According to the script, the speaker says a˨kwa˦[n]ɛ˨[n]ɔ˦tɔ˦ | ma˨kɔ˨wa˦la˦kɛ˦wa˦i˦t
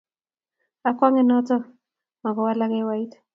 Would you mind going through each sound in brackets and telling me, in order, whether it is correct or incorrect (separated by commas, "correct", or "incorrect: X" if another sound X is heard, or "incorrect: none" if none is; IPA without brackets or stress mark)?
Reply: incorrect: ŋ, correct